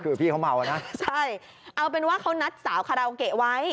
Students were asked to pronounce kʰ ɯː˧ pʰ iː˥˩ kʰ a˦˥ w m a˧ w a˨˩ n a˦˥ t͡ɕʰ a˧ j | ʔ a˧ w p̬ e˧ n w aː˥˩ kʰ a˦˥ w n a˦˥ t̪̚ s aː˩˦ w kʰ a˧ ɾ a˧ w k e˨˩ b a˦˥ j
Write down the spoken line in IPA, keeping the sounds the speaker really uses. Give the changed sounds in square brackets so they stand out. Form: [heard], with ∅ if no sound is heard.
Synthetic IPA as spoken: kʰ ɯː˧ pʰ iː˥˩ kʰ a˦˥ w m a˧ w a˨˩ n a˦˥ t͡ɕʰ [a˥˩] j | ʔ a˧ w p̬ e˧ n w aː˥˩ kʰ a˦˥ w n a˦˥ t̪̚ s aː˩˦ w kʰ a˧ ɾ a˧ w k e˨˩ [w] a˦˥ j

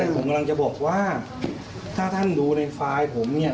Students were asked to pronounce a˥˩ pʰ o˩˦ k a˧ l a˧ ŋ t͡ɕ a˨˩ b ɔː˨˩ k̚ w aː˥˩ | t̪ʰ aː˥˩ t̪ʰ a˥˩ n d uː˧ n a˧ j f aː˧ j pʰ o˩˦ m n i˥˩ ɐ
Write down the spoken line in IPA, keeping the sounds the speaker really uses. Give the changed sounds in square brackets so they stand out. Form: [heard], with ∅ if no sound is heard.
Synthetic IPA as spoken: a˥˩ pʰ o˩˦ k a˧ l a˧ ŋ t͡ɕ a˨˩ b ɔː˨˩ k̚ w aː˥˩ | t̪ʰ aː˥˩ t̪ʰ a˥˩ n d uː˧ n a˧ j f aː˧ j pʰ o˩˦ m n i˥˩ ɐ

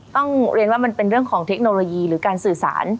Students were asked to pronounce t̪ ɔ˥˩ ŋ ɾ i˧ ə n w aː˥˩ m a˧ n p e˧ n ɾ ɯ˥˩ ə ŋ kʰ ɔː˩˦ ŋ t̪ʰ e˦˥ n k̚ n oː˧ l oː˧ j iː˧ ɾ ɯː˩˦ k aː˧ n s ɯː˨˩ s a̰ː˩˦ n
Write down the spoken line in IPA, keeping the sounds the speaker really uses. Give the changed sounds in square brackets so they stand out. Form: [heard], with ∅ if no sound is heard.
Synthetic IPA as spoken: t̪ ɔ˥˩ ŋ ɾ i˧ ə n w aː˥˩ m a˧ n p e˧ n ɾ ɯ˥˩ ə ŋ kʰ ɔː˩˦ ŋ t̪ʰ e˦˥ [∅] k̚ n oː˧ l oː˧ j iː˧ ɾ ɯː˩˦ k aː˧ n s ɯː˨˩ s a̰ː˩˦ n

